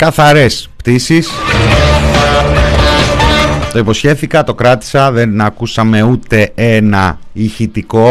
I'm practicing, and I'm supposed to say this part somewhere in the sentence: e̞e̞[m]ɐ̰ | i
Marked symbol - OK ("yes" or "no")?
no